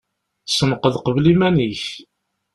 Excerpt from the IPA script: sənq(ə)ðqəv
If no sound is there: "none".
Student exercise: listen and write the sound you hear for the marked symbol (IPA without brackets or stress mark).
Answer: ə